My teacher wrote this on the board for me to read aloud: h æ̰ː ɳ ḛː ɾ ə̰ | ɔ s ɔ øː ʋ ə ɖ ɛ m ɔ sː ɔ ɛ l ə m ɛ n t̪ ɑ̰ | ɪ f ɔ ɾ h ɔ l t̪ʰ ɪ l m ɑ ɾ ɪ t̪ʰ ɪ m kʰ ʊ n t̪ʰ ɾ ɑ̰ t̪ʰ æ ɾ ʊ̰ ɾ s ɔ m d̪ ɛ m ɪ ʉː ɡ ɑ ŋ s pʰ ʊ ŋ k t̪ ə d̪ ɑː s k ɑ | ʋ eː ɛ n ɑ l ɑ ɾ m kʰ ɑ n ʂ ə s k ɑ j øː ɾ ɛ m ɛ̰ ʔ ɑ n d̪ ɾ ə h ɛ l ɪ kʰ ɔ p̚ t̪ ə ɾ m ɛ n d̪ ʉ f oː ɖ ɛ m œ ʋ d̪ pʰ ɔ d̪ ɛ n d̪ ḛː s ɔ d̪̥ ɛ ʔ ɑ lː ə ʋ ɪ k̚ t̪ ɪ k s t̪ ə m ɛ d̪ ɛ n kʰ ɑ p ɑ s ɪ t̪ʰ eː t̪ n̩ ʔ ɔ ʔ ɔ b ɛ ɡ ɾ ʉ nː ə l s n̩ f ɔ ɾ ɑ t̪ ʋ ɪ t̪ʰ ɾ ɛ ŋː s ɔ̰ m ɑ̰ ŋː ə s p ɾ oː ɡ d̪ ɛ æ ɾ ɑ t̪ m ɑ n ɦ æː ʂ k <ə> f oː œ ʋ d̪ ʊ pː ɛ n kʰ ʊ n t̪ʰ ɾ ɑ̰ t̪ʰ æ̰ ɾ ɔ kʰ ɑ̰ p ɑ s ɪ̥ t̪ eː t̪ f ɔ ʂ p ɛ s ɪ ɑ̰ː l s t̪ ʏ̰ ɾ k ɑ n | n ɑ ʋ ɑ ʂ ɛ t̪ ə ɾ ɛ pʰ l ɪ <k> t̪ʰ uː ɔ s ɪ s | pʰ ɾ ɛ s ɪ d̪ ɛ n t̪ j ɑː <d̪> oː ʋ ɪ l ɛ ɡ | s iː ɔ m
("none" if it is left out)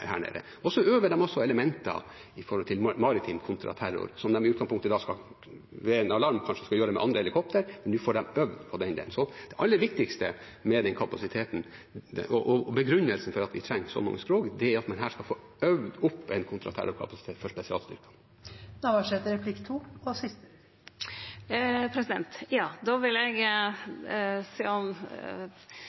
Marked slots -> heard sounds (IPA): ɑ, k, d̪

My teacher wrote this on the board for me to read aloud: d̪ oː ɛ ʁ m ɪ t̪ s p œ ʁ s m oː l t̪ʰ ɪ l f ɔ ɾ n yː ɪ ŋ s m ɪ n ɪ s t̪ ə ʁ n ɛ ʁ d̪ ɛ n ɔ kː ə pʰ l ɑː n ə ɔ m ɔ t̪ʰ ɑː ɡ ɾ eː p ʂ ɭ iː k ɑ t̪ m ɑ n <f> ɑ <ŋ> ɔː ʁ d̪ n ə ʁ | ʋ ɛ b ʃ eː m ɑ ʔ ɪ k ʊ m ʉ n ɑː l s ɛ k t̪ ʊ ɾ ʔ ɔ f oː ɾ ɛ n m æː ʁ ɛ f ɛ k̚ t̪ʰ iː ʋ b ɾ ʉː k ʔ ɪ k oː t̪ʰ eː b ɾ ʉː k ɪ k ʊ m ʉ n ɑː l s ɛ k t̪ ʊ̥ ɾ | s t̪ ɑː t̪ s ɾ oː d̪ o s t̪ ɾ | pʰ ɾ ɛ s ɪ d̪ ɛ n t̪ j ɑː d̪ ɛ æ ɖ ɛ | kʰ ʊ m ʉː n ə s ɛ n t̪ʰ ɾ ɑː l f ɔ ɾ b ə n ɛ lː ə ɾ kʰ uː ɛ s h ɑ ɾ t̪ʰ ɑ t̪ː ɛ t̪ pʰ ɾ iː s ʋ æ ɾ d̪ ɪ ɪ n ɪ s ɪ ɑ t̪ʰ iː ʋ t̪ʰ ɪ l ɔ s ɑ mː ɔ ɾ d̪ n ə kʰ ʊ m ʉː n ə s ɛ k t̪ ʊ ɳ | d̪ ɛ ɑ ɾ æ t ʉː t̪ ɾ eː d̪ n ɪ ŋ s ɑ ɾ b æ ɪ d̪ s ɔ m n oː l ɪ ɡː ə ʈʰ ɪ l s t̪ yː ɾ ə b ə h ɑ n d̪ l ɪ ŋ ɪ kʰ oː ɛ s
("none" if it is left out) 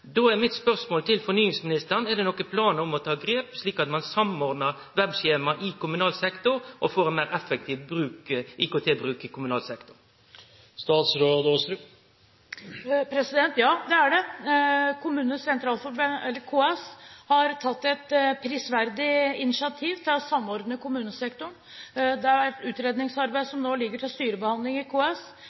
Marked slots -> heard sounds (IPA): s, m

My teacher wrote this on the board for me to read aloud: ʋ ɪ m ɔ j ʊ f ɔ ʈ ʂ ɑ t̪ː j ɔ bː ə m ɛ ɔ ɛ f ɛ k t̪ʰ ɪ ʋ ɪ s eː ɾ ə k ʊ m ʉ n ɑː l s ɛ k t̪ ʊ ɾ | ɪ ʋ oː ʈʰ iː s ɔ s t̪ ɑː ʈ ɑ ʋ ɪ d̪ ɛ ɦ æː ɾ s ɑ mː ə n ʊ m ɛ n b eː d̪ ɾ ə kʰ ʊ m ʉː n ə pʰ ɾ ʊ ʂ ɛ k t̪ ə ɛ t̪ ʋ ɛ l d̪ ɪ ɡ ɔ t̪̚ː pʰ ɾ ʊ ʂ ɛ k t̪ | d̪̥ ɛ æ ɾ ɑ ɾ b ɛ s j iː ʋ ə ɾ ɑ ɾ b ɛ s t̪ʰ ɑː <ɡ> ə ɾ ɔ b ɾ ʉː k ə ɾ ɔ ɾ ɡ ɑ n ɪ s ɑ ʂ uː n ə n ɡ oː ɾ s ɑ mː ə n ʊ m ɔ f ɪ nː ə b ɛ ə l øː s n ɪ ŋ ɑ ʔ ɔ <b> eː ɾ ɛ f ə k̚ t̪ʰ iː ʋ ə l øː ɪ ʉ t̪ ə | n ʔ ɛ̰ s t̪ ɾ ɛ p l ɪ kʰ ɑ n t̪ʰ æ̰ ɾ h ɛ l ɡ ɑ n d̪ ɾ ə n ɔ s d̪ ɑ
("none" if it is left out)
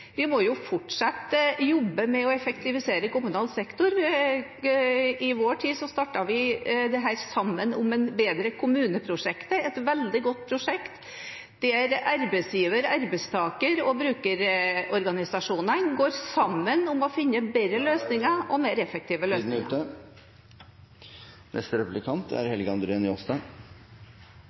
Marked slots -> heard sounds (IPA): k, m

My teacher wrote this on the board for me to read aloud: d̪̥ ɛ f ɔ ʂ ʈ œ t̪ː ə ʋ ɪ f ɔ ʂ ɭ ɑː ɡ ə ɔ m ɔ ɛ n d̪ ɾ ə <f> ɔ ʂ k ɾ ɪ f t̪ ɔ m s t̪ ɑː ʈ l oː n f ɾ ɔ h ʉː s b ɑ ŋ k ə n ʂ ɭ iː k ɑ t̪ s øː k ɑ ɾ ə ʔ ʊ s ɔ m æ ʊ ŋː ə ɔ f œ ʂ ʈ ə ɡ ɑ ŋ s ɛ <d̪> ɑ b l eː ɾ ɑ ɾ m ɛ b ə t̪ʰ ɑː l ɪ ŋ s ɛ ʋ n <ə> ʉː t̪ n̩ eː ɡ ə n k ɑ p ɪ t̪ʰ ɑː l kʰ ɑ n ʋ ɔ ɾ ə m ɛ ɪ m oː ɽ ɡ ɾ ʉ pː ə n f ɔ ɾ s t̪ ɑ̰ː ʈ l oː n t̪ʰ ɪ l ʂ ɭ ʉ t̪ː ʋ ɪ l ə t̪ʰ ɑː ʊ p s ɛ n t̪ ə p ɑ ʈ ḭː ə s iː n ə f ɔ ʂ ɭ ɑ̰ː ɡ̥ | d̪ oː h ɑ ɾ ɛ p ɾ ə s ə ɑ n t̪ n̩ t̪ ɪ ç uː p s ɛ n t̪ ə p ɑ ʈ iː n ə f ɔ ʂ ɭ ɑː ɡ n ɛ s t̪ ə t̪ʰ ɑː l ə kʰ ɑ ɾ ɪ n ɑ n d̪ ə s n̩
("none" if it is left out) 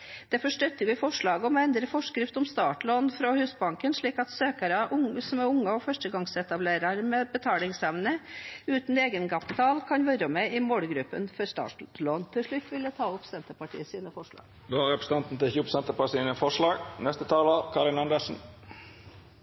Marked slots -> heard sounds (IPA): f, t̪, ə

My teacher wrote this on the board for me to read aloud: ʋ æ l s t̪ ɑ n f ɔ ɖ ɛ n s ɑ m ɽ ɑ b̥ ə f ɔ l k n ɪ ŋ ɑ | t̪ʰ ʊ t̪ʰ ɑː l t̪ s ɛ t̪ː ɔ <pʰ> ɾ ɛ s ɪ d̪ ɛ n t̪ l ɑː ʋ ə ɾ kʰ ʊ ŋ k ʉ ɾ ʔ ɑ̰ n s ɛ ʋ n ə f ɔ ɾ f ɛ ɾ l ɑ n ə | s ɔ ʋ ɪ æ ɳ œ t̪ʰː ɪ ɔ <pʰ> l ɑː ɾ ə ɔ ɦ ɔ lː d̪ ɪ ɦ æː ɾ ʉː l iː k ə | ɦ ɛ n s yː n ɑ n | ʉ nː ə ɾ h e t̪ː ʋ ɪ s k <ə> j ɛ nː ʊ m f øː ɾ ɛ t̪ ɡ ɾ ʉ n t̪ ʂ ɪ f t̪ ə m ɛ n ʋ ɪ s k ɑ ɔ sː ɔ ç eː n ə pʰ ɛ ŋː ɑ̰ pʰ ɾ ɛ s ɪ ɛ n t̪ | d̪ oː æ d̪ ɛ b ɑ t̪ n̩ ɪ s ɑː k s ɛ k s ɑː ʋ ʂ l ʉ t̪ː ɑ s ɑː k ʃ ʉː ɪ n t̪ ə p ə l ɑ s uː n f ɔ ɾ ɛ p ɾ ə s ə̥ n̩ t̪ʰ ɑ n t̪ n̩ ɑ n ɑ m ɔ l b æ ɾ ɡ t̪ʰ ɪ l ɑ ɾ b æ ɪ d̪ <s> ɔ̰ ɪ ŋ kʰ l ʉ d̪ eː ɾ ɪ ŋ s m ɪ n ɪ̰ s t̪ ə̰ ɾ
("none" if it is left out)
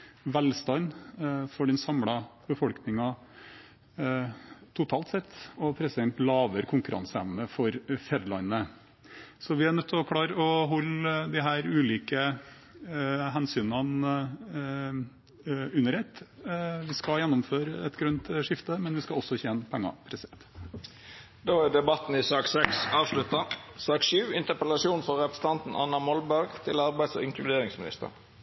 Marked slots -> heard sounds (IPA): pʰ, kʰ, ɑ, s

